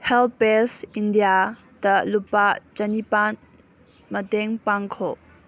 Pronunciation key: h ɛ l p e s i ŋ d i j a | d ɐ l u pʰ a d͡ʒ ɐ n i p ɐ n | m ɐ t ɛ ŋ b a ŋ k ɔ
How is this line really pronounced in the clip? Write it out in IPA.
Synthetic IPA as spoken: h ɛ l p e s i n d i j a | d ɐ l u p a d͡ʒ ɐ n i p a n | m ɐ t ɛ ŋ p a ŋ kʰ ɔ